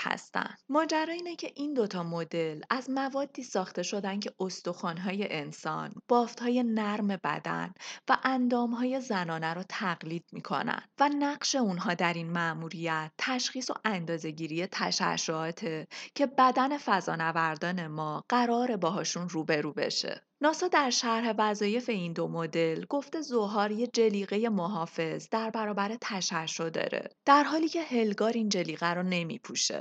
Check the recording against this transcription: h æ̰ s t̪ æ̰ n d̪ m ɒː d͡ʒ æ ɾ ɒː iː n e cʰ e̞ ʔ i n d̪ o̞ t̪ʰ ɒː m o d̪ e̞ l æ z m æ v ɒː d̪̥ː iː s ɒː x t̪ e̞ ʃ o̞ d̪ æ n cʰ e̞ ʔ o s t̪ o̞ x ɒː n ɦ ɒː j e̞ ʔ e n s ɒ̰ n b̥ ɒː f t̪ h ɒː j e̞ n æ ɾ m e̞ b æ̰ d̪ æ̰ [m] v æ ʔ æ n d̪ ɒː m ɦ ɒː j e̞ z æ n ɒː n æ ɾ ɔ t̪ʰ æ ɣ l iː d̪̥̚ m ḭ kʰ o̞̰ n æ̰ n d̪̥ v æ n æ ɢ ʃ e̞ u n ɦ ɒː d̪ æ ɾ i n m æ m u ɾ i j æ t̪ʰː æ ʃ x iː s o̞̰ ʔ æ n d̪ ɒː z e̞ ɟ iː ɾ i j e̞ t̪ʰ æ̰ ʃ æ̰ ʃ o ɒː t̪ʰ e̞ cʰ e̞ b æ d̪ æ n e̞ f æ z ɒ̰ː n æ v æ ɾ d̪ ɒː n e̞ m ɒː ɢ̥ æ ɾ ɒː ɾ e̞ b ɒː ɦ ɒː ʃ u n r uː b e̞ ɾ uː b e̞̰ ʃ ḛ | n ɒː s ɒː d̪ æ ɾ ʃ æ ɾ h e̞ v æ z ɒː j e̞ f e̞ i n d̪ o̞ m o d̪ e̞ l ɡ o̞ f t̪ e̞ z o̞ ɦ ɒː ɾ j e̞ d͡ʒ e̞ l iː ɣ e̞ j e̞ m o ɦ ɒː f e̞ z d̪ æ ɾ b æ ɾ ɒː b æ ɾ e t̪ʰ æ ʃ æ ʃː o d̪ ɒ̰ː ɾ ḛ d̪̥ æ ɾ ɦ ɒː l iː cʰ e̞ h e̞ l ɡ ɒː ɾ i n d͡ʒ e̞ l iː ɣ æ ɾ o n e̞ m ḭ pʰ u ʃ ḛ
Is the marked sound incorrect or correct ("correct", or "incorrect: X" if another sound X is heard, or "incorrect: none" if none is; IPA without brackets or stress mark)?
incorrect: n